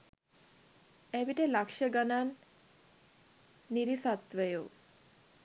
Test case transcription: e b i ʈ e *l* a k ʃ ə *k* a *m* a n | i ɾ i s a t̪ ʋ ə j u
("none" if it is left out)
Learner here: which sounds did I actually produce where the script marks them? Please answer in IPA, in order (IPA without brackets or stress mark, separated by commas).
l, ɡ, n